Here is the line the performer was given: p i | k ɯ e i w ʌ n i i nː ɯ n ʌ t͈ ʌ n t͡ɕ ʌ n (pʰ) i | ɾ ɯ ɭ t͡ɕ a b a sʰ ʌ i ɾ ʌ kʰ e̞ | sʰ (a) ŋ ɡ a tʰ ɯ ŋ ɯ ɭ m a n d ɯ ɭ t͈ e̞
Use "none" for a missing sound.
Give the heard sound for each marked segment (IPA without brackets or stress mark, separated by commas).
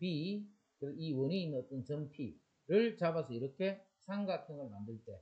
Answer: pʰ, a